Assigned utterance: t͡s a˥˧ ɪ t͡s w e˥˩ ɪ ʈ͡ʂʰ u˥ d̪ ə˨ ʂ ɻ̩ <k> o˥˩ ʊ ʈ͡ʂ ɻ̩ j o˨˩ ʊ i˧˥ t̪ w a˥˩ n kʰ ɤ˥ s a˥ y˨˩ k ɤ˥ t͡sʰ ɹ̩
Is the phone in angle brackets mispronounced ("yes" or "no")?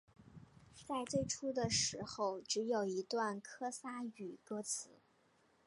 yes